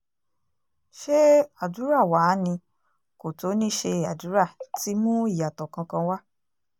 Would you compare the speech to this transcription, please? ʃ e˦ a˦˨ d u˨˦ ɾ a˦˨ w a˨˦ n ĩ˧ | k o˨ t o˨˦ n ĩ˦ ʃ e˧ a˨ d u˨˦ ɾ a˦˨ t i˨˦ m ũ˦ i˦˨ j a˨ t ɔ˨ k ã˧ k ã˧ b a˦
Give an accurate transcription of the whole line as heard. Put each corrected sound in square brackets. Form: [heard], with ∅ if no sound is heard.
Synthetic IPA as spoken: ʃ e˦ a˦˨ d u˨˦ ɾ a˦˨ w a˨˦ n ĩ˧ | k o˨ t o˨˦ n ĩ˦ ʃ e˧ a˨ d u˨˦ ɾ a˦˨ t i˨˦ m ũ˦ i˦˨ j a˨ t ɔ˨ k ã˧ k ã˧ [w] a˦